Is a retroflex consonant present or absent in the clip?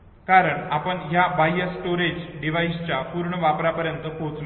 present